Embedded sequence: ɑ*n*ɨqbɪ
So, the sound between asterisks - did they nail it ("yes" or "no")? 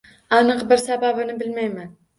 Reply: yes